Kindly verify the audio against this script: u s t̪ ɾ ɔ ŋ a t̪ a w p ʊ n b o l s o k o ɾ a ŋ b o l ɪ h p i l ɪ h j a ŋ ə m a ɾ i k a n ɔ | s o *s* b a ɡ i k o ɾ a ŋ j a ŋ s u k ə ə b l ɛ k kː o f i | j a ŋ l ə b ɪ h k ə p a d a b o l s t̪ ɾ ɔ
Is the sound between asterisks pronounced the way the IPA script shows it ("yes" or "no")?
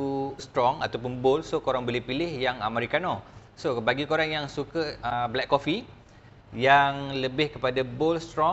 no